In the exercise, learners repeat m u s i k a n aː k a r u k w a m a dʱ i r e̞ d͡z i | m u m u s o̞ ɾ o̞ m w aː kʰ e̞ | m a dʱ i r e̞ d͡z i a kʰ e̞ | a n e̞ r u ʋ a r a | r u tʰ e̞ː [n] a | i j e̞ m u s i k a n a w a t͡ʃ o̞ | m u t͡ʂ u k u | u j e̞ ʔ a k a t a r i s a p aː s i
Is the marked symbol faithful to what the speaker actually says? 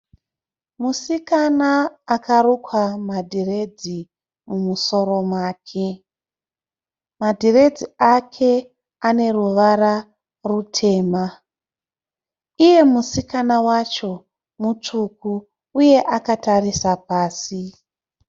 no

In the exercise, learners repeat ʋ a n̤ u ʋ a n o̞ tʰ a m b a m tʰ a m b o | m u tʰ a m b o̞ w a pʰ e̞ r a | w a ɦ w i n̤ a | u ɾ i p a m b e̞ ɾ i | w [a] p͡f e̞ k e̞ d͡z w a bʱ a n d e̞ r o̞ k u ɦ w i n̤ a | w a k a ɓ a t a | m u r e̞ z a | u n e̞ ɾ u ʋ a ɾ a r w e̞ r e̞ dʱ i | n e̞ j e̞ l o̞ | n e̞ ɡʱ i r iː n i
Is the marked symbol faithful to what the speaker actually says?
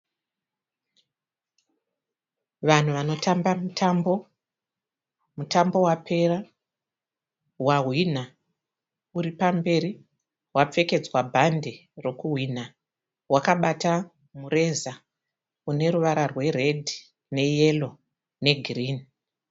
yes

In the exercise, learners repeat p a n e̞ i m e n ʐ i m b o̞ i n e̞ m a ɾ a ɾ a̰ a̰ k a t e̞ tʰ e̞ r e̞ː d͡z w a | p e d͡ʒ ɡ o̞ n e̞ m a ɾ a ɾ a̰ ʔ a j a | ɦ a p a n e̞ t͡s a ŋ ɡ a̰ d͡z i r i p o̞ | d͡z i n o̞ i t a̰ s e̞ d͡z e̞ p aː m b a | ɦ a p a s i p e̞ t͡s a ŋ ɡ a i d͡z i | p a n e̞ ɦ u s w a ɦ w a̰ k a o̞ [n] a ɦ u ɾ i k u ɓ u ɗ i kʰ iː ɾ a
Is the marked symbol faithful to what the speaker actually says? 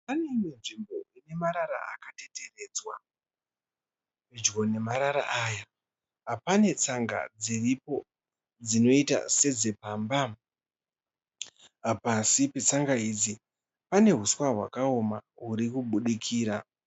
no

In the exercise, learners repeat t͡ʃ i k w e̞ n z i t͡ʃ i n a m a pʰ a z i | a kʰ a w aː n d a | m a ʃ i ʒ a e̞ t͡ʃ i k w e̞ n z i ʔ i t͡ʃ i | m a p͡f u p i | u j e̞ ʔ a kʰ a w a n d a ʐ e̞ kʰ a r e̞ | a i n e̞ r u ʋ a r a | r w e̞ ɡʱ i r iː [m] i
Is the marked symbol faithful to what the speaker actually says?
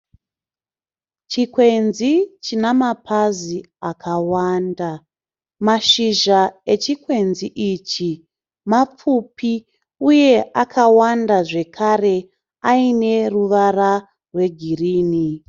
no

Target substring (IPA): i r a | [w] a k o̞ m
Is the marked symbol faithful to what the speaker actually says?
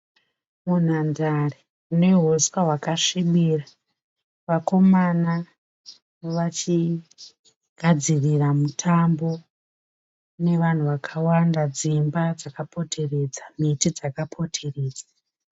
no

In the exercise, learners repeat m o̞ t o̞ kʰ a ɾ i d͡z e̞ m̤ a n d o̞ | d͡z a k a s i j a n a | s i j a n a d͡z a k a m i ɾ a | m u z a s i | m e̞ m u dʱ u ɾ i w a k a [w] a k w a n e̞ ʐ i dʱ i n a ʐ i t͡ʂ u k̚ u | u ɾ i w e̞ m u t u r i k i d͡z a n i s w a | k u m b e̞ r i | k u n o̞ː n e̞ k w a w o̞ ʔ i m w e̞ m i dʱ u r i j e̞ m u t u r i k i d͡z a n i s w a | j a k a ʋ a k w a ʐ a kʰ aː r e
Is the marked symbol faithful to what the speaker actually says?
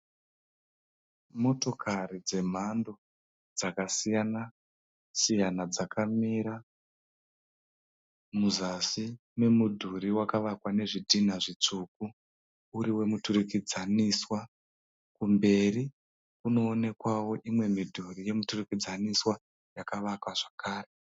no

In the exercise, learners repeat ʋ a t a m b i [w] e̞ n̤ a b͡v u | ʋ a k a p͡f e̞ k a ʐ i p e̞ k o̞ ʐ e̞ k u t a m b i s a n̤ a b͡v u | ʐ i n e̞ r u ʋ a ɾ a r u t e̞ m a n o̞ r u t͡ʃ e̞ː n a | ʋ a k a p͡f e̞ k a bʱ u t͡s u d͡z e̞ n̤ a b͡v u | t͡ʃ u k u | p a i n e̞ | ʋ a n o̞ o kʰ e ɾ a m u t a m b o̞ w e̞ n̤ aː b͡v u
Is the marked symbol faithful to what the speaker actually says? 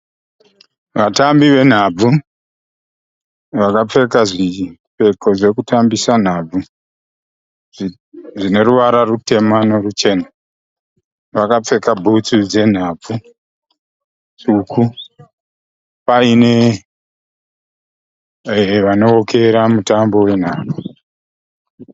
no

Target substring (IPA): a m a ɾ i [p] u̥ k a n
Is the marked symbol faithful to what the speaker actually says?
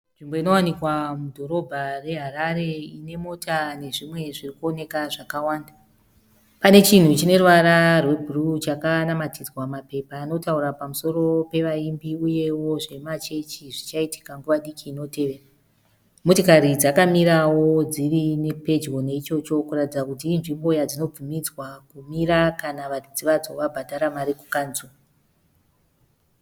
no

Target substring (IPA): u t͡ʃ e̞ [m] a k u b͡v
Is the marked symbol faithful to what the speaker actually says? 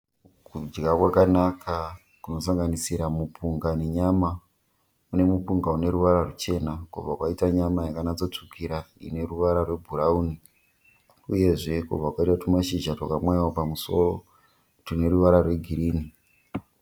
no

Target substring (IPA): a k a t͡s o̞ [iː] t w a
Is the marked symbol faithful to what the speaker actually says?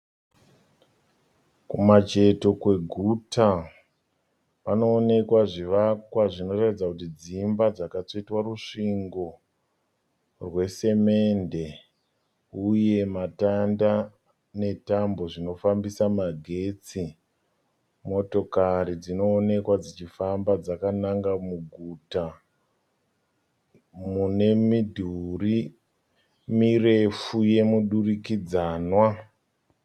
no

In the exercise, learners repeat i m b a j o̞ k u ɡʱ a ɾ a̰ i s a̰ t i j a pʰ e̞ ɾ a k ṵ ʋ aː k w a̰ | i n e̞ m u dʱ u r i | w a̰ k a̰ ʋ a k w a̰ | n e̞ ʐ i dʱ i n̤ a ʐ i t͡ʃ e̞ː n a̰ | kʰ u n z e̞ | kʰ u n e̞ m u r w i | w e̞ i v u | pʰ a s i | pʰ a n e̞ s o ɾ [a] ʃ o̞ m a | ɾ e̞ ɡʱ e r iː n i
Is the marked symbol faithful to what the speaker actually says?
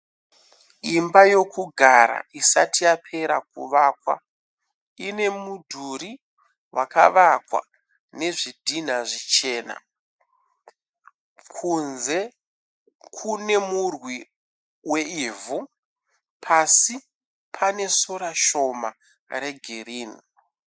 yes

